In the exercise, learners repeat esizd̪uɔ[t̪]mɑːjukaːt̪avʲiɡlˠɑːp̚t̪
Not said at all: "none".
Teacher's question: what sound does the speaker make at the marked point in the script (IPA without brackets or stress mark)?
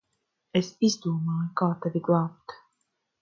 none